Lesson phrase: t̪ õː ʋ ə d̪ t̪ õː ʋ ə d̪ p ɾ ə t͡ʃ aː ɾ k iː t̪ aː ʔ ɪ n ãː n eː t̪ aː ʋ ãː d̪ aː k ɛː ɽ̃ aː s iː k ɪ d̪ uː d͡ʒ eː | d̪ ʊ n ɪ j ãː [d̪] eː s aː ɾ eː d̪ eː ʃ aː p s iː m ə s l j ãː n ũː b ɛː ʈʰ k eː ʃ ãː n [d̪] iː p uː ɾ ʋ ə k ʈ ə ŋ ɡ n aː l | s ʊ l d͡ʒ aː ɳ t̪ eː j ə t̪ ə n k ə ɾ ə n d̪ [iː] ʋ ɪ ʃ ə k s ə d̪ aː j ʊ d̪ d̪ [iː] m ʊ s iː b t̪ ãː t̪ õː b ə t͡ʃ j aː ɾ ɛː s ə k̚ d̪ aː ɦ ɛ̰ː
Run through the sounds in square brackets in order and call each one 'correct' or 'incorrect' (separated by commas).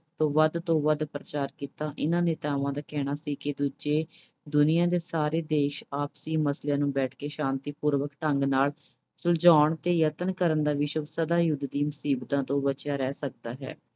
correct, incorrect, incorrect, correct